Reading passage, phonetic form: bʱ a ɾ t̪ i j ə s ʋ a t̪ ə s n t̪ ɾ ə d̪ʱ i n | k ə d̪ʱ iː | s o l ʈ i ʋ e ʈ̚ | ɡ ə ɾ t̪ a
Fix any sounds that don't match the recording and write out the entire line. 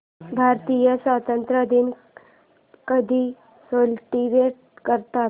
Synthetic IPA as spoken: bʱ a ɾ t̪ i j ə s ʋ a t̪ ə n t̪ ɾ ə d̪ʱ i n | k ə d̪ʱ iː | s o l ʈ i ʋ e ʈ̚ | k ə ɾ t̪ a

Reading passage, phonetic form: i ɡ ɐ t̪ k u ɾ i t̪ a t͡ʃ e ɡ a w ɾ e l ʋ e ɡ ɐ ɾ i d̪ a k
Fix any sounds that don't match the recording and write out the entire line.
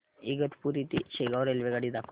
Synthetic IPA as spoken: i ɡ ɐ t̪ p u ɾ i t̪ i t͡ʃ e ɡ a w ɾ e l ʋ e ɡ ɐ ɽ i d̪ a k

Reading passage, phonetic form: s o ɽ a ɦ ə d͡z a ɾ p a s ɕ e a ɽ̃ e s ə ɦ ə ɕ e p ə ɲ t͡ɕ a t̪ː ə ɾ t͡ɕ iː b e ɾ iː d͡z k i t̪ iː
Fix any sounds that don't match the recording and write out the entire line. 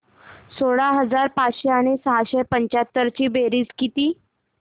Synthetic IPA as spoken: s o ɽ a ɦ ə d͡z a ɾ p a t͡s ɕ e a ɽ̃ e s ə ɦ a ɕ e p ə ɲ t͡ɕ a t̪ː ə ɾ t͡ɕ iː b e ɾ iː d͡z k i t̪ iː

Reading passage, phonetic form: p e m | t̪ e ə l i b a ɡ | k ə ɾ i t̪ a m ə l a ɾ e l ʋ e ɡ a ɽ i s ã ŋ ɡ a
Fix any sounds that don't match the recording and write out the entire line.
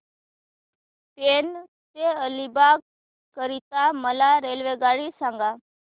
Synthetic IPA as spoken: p e n | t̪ e ə l i b a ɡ | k ə ɾ i t̪ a m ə l a ɾ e l ʋ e ɡ a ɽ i s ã ŋ ɡ a

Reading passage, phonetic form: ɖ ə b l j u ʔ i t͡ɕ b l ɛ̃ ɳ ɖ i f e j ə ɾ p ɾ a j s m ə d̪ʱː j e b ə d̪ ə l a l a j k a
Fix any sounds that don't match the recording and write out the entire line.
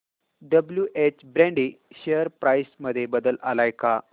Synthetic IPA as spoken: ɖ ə b l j u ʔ e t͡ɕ b ɾ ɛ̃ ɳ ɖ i ɕ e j ə ɾ p ɾ a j s m ə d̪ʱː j e b ə d̪ ə l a l a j k a

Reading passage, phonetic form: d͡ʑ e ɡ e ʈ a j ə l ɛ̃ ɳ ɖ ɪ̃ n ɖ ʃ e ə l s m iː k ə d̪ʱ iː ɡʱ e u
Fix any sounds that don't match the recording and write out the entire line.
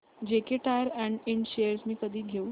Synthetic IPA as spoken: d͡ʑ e k e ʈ a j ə ɾ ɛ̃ ɳ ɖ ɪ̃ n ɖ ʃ e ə ɾ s m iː k ə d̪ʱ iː ɡʱ e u

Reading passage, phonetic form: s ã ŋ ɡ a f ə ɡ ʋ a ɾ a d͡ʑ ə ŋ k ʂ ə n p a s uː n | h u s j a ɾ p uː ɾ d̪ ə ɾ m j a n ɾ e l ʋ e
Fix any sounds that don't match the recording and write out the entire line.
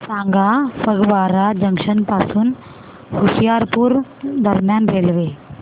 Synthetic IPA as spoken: s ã ŋ ɡ a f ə ɡ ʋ a ɾ a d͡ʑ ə ŋ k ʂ ə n p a s uː n | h u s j a ɾ p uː ɾ d̪ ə ɾ m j a n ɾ e l ʋ e

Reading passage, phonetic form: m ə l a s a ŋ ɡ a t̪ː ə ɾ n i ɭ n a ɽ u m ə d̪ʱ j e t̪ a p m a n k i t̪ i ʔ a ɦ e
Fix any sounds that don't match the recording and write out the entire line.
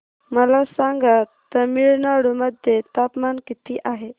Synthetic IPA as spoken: m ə l a s a ŋ ɡ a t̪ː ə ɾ m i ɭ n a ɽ u m ə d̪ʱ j e t̪ a p m a n k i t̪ i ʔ a ɦ e

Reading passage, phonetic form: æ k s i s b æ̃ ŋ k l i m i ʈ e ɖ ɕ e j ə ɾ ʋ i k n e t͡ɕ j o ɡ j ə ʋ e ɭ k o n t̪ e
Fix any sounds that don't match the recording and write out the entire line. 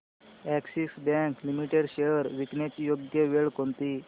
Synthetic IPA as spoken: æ k s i s b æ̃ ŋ k l i m i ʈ e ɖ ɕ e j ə ɾ ʋ i k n e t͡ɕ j o ɡ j ə ʋ e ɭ k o n t̪ i

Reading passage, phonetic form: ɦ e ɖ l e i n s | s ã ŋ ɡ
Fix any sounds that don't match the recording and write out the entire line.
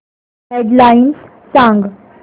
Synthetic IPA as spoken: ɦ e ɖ l a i n s | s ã ŋ ɡ

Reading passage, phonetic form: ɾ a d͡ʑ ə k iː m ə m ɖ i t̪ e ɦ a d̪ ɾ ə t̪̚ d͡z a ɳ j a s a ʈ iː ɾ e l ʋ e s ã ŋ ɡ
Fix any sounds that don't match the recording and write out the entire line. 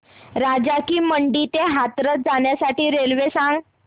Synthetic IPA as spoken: ɾ a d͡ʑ a k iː m ə ɳ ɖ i t̪ e ɦ a t̪ ɾ ə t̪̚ d͡z a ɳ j a s a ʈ iː ɾ e l ʋ e s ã ŋ ɡ

